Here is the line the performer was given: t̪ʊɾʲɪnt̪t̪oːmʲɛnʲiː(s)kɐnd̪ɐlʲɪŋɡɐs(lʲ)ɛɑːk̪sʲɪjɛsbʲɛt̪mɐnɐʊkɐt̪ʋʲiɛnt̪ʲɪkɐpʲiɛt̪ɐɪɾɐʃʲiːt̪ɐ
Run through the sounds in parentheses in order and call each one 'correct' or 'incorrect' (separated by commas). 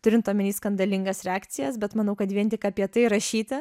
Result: correct, incorrect